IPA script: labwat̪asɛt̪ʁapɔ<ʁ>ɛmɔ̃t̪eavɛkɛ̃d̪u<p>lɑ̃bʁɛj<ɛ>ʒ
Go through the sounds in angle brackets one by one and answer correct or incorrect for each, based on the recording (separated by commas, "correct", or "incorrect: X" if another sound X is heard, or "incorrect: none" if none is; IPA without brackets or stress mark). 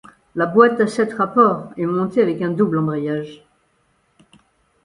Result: correct, incorrect: b, incorrect: a